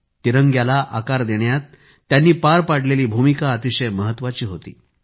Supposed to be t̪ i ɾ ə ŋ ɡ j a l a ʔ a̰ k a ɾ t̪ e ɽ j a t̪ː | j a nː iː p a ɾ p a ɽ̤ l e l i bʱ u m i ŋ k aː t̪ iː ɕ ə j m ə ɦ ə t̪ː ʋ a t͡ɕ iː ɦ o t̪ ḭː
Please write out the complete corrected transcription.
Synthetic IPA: t̪ i ɾ ə ŋ ɡ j a l a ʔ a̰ k a ɾ d̪ e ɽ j a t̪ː | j a nː iː p a ɾ p a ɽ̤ l e l iː bʱ u m i k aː t̪ i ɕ ə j m ə ɦ ə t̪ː ʋ a t͡ɕ iː ɦ o t̪ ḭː

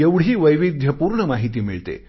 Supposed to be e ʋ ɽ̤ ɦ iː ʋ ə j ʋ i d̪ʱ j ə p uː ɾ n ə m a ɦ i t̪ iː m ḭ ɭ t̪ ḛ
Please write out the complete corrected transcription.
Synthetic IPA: e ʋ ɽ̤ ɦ iː ʋ ə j ʋ i d̪ʱ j ə p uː ɾ ɳ ə m a ɦ i t̪ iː m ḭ ɭ t̪ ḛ

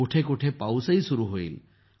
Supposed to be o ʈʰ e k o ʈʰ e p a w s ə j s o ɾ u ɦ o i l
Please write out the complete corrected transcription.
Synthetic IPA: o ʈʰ e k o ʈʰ e p a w s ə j s u ɾ u ɦ o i l

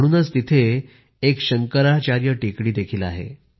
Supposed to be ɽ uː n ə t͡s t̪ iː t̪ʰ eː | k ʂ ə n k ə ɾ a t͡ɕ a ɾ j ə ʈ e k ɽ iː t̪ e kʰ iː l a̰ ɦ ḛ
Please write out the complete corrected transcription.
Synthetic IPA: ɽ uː n ə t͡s t̪ i t̪ʰ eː | k ɕ ə ŋ k ə ɾ a t͡ɕ a ɾ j ə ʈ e k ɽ iː d̪ e kʰ iː l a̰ ɦ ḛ

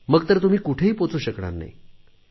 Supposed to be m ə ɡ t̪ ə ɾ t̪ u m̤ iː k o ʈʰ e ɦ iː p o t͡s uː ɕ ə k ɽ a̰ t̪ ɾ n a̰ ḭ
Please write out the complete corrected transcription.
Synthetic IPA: m ə ɡ t̪ ə ɾ t̪ u m̤ iː k u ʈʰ e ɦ iː p o t͡s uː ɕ ə k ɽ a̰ ɾ n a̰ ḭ

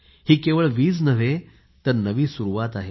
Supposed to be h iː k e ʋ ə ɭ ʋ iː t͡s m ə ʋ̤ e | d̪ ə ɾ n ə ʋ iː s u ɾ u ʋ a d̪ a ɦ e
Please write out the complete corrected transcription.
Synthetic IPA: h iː k e ʋ ə ɭ ʋ iː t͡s n ə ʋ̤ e | t̪ ə ɾ n ə ʋ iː s u ɾ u ʋ a t̪ a ɦ e

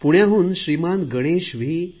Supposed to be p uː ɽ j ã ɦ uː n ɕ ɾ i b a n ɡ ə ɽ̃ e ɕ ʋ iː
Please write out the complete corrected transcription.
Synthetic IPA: p u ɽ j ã ɦ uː n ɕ ɾ i m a n ɡ ə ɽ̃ e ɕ ʋ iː

